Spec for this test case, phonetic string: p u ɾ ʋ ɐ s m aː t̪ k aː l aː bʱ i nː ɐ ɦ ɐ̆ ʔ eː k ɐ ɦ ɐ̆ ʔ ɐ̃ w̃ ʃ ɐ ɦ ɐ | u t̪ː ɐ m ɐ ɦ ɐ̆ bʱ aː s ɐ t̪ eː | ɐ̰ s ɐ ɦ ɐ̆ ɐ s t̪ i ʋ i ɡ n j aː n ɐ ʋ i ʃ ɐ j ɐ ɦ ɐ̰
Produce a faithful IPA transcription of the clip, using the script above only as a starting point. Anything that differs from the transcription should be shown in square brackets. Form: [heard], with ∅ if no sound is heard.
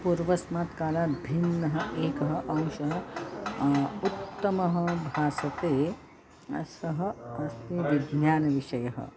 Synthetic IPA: p u ɾ ʋ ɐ s m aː t̪ k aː l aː bʱ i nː ɐ ɦ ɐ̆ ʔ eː k ɐ ɦ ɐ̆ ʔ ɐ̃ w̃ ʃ ɐ ɦ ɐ | u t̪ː ɐ m ɐ ɦ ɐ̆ bʱ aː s ɐ t̪ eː | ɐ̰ s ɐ ɦ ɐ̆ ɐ s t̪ i ʋ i ɡ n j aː n ɐ ʋ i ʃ ɐ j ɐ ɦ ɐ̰